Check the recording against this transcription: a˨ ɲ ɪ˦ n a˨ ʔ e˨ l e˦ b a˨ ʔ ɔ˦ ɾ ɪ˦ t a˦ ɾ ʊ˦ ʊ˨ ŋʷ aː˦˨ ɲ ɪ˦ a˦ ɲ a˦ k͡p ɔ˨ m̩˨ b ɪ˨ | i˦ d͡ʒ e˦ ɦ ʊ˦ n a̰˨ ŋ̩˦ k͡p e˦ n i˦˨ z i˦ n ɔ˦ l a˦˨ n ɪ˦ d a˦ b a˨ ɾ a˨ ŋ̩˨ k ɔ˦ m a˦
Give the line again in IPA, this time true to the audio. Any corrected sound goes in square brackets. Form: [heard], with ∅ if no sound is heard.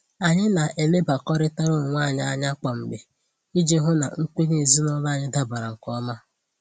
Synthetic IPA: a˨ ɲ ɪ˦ n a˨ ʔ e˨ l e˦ b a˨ [k] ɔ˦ ɾ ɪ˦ t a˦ ɾ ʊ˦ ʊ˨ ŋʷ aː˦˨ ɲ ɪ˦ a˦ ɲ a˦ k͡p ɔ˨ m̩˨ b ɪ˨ | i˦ d͡ʒ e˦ ɦ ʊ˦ n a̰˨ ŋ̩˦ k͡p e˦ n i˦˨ z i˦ n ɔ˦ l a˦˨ [ɲ] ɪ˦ d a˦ b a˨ ɾ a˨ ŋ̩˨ k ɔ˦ m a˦

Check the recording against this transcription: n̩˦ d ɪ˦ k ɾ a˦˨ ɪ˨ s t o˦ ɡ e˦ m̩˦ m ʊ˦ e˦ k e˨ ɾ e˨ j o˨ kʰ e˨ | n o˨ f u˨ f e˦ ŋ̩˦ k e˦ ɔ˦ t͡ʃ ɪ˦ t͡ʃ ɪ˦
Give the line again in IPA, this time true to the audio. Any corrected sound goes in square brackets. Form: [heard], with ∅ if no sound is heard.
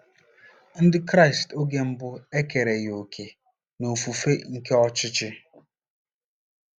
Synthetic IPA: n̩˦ d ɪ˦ k ɾ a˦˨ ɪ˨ s t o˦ ɡ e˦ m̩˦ [b] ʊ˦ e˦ k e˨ ɾ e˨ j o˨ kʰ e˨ | n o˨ f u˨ f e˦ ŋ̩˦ k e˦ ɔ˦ t͡ʃ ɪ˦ t͡ʃ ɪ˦

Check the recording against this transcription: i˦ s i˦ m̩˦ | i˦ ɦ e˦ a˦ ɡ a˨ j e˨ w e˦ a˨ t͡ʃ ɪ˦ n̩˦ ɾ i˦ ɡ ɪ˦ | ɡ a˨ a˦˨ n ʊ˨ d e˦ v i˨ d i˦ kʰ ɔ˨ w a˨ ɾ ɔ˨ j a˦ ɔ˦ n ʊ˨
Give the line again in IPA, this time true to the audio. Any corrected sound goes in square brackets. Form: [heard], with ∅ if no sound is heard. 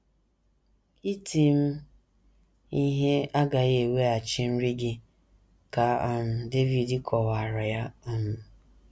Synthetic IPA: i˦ [t] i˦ m̩˦ | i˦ ɦ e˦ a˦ ɡ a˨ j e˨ w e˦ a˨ t͡ʃ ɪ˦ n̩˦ ɾ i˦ ɡ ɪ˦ | [k] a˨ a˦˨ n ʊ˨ d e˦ v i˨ d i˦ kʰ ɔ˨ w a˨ ɾ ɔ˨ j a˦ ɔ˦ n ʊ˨

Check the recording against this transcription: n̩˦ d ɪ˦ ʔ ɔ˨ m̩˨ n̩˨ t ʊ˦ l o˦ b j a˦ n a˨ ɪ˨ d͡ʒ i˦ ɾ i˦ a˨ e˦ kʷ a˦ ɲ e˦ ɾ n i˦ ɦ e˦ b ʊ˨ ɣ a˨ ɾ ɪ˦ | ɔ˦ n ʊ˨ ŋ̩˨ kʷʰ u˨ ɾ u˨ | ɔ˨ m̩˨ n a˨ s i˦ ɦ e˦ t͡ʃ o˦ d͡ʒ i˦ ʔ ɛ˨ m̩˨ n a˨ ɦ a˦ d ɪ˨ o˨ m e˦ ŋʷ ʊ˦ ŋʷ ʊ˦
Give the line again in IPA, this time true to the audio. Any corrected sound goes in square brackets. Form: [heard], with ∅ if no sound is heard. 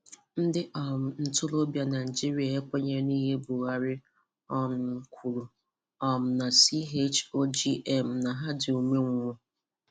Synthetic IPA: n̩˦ d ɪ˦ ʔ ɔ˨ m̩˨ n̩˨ t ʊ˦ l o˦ b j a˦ n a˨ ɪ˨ d͡ʒ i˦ ɾ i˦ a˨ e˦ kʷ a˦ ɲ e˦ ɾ n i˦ ɦ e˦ b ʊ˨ ɣ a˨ ɾ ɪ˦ | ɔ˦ n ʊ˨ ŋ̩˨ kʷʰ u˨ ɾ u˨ | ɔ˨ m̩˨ n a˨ s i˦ ɦ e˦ t͡ʃ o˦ d͡ʒ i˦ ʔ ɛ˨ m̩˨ n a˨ ɦ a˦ d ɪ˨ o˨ m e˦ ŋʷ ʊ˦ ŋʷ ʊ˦

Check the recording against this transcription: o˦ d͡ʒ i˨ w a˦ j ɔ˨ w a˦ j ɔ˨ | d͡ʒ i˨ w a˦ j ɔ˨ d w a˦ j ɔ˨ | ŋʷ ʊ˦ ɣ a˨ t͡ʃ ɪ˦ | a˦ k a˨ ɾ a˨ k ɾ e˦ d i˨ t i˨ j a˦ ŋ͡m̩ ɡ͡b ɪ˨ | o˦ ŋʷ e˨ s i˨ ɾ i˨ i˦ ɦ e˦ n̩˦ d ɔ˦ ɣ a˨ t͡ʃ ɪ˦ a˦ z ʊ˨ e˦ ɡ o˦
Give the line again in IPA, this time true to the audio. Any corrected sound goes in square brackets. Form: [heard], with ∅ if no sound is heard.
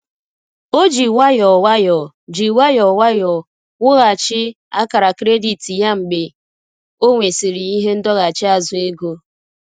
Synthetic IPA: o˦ d͡ʒ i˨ w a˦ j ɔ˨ w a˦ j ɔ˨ | d͡ʒ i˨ w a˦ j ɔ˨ [∅] w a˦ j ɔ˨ | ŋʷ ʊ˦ ɣ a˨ t͡ʃ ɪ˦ | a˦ k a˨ ɾ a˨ k ɾ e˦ d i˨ t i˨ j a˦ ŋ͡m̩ ɡ͡b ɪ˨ | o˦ ŋʷ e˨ s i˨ ɾ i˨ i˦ ɦ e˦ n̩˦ d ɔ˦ ɣ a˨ t͡ʃ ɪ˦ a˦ z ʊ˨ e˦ ɡ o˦

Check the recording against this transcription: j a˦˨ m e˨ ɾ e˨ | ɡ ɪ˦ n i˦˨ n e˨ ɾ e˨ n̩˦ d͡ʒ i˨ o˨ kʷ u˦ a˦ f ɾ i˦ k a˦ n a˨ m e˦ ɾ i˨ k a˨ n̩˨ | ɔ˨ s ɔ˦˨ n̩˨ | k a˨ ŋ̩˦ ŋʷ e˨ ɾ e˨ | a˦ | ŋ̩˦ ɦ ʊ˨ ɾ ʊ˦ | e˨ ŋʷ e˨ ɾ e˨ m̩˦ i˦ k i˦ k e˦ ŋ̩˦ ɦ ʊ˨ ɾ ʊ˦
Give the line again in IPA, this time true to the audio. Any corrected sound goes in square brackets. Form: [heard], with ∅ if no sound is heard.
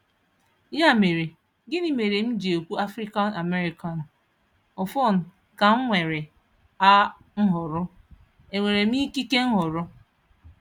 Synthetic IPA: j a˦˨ m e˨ ɾ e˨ | ɡ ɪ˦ n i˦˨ [m] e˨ ɾ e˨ [m̩˦] d͡ʒ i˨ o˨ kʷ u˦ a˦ f ɾ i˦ k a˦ n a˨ m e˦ ɾ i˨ k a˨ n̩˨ | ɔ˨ [f] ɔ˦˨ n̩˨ | k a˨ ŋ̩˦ ŋʷ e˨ ɾ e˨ | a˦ | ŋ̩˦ ɦ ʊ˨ ɾ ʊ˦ | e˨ ŋʷ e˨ ɾ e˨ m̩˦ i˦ k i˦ k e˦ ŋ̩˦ ɦ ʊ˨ ɾ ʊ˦

